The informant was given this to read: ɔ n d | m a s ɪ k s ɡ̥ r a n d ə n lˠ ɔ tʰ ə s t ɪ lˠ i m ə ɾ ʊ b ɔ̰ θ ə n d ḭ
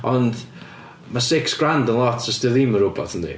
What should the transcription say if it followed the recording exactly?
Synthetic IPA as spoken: ɔ n d | m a s ɪ k s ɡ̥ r a n d ə n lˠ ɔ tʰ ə s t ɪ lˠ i m ə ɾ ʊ b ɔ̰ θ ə n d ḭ